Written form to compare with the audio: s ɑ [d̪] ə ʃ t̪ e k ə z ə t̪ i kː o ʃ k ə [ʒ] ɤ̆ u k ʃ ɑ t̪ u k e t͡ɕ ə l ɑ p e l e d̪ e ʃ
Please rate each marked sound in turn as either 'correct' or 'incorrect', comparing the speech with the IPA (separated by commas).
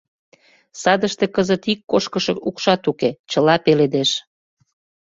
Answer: correct, incorrect